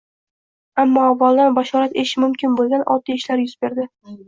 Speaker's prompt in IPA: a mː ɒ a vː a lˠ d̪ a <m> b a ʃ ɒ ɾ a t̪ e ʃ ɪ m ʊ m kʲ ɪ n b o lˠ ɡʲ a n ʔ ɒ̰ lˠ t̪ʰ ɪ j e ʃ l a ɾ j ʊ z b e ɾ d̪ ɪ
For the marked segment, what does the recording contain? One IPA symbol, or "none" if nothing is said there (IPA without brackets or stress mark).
n